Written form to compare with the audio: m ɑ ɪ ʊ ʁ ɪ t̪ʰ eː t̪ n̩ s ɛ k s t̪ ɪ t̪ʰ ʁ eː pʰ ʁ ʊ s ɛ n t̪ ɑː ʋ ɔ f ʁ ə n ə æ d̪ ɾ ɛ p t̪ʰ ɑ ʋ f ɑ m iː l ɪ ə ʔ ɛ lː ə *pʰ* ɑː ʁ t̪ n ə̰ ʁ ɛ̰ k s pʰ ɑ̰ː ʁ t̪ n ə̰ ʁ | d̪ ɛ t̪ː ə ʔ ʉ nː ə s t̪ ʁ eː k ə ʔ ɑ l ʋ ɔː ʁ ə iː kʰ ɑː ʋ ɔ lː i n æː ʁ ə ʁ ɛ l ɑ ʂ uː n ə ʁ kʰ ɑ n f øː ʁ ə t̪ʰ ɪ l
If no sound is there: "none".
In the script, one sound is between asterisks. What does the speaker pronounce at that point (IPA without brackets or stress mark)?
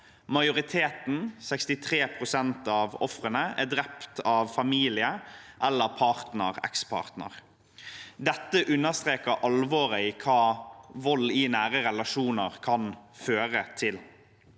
pʰ